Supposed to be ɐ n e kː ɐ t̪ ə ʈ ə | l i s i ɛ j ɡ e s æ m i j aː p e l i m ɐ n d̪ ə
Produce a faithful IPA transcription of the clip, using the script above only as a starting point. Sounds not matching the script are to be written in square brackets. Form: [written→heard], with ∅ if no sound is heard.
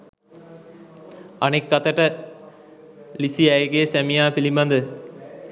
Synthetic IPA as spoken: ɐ n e kː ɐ t̪ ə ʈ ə | l i s i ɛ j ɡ e s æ m i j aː p [e→i] l i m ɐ n d̪ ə